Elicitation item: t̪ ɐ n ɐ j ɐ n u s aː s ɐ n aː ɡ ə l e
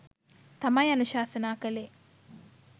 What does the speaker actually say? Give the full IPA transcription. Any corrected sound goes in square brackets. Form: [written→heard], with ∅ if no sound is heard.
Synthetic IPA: t̪ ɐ [n→m] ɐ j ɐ n u [s→ʃ] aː s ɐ n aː [ɡ→k] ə l e